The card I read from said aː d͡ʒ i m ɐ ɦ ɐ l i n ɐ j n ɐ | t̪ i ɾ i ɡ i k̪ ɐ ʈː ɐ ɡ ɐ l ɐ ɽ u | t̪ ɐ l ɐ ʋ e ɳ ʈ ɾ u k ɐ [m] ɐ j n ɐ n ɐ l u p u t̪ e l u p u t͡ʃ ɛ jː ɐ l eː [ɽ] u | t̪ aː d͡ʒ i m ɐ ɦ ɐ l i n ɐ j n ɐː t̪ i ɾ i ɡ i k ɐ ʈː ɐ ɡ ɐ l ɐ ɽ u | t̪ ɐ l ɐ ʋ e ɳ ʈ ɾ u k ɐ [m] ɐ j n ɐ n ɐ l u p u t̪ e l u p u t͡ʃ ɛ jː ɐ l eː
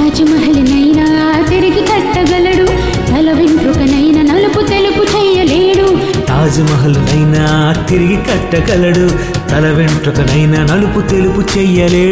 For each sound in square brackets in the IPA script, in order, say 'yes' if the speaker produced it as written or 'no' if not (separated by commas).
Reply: no, yes, no